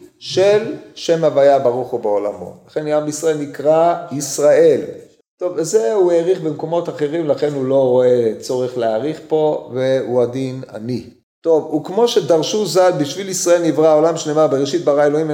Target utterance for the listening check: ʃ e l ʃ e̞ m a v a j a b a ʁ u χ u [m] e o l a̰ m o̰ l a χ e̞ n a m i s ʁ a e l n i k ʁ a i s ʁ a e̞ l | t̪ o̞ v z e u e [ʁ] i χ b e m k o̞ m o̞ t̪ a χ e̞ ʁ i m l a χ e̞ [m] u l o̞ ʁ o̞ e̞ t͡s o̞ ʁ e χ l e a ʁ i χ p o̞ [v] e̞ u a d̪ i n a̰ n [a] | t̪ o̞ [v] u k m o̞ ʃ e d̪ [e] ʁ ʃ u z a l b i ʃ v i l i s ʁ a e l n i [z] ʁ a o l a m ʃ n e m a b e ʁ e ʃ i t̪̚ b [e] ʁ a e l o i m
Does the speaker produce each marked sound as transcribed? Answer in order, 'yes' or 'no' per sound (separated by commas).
no, yes, no, yes, no, yes, no, no, no